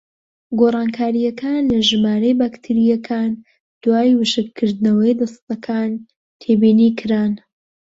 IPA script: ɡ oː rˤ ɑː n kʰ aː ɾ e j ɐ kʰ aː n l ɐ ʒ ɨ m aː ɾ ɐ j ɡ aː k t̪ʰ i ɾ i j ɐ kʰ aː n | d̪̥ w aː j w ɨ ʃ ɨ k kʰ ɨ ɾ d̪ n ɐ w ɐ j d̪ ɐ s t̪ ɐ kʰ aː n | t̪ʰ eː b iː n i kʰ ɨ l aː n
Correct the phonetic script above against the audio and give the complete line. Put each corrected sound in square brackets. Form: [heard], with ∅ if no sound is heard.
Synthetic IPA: ɡ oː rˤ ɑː n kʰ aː ɾ [i] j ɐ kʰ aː n l ɐ ʒ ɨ m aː ɾ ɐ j [b] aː k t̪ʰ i ɾ i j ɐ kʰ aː n | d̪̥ w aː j w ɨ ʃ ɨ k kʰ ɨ ɾ d̪ n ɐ w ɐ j d̪ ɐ s t̪ ɐ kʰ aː n | t̪ʰ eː b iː n i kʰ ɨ [ɾ] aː n